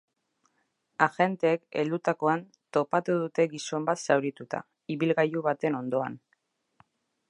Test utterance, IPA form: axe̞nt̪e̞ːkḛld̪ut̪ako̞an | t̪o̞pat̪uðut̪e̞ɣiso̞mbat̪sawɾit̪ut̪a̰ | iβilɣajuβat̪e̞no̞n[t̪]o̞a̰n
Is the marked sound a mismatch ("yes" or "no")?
yes